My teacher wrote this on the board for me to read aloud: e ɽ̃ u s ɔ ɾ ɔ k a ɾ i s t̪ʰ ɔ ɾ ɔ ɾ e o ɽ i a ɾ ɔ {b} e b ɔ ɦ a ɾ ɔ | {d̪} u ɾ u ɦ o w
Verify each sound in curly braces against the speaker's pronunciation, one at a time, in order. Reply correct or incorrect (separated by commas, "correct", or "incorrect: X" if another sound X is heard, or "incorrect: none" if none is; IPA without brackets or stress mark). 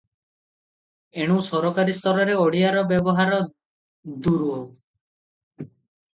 correct, correct